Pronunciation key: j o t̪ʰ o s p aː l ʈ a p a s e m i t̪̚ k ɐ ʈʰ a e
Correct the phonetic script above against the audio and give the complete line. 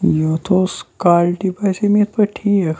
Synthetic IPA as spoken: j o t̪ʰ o s k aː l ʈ i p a s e m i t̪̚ p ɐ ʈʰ i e